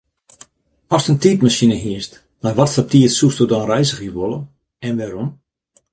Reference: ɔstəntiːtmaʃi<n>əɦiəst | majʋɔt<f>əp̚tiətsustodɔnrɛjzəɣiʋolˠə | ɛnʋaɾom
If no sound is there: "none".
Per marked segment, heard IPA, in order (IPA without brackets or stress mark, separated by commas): n, s